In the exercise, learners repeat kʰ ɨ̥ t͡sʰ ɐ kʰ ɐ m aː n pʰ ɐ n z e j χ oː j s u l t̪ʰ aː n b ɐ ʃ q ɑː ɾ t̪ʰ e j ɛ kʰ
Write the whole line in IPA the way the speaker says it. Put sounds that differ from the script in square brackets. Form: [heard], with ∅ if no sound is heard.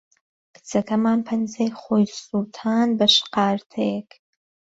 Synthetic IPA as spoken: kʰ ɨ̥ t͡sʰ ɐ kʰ ɐ m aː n pʰ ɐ n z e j χ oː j s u l t̪ʰ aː n b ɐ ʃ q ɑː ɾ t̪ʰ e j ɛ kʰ